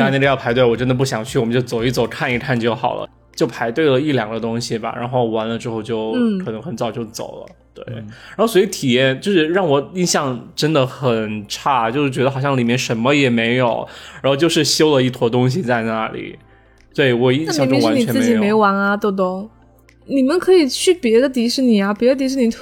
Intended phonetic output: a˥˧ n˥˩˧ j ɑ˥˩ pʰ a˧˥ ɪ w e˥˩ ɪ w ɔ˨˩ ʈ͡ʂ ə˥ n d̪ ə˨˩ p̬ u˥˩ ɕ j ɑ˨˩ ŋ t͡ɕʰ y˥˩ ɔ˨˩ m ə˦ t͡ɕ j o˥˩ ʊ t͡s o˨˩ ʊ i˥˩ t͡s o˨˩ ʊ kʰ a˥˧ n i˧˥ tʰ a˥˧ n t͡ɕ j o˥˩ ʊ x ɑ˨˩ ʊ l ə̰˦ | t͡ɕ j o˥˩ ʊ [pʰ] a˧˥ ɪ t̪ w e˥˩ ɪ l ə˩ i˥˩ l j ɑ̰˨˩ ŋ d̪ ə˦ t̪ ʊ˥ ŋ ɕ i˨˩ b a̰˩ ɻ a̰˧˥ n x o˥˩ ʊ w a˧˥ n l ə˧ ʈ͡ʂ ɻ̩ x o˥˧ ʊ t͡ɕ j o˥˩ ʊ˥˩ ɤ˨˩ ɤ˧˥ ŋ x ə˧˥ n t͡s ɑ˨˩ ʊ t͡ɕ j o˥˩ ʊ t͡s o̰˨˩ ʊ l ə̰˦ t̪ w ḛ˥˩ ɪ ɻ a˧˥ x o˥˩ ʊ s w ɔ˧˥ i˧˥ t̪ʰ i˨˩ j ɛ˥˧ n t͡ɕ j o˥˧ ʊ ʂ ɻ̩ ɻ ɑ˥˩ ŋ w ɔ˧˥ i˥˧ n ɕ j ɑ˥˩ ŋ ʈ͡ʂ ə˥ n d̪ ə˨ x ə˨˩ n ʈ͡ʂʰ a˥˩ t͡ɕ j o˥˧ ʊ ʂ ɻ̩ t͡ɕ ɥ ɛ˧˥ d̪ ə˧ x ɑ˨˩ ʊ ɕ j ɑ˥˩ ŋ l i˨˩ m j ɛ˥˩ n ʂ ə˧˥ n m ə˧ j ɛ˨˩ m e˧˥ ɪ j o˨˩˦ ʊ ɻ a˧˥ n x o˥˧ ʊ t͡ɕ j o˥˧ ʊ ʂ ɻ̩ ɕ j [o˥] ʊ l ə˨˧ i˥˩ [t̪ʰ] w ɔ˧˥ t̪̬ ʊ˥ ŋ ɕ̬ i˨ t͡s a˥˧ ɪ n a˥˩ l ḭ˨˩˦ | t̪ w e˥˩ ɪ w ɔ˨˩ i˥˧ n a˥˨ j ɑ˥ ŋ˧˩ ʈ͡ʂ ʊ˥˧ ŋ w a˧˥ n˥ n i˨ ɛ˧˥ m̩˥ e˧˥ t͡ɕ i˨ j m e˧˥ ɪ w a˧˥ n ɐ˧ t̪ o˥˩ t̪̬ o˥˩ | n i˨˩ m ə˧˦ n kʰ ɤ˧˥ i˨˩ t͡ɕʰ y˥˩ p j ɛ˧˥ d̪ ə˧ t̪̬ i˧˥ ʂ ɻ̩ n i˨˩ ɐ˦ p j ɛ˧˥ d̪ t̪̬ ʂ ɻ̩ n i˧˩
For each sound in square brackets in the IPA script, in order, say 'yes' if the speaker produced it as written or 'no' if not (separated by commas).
yes, yes, yes